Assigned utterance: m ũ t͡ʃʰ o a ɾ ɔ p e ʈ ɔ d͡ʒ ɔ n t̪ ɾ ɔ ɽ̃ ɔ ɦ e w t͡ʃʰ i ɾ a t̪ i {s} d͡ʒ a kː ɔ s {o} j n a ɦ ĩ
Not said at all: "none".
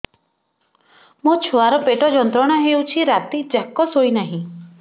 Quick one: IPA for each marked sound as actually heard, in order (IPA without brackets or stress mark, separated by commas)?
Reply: none, o